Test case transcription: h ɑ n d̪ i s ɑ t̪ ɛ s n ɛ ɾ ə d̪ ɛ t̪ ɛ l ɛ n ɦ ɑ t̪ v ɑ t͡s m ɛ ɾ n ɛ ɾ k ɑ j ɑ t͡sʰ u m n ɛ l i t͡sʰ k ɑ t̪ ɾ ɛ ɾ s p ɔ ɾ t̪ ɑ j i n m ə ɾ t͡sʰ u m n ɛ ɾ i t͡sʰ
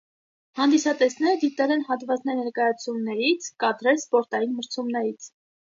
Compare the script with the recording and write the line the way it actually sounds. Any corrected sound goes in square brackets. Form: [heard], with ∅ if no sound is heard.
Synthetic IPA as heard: h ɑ n d̪ i s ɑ t̪ ɛ s n ɛ ɾ ə d̪ [i] t̪ ɛ l ɛ n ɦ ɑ t̪ v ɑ t͡s [n] ɛ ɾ n ɛ ɾ k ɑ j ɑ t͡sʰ u m n ɛ [ɾ] i t͡sʰ k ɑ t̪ ɾ ɛ [l] s p ɔ ɾ t̪ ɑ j i n m ə ɾ t͡sʰ u m n ɛ ɾ i t͡sʰ